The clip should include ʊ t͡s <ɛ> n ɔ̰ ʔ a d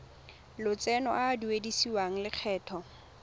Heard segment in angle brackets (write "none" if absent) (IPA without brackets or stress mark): ɛ